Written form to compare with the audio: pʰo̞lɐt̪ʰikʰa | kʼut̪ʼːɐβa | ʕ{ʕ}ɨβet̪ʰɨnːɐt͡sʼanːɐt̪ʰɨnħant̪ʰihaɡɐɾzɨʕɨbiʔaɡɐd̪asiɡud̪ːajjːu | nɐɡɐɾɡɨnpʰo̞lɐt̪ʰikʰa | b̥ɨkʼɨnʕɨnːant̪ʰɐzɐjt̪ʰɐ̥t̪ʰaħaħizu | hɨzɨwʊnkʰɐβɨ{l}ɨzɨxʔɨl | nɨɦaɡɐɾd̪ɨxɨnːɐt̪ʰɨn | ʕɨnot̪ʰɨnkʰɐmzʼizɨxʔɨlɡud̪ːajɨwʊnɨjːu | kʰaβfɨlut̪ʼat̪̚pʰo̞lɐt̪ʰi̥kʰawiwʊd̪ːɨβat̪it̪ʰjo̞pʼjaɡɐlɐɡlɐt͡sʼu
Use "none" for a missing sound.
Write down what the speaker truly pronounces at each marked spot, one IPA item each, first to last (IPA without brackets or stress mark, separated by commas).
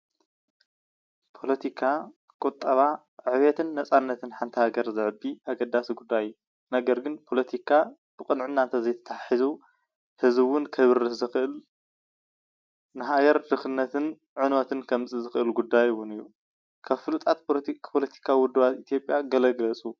ʕ, ɾ